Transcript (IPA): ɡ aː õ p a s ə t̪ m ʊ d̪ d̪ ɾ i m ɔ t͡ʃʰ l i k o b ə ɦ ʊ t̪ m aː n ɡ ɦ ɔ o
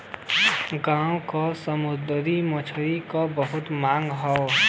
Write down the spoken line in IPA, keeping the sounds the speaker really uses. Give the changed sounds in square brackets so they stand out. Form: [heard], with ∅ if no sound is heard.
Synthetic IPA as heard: ɡ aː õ [k] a s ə [∅] m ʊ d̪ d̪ ɾ i m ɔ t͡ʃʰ [ɾ] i k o b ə ɦ ʊ t̪ m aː [ŋ] ɡ ɦ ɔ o